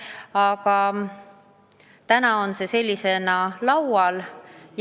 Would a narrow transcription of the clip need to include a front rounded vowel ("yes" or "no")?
no